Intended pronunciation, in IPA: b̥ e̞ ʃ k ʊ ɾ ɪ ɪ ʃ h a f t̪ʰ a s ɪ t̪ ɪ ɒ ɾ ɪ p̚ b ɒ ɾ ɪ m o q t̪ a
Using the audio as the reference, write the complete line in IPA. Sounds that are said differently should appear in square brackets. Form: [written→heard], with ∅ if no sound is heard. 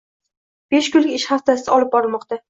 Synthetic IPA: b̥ e̞ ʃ k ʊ [ɾ→l] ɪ ɪ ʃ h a f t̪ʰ a s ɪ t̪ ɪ ɒ [ɾ→l] ɪ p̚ b ɒ ɾ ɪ m [o→ɒ] q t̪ a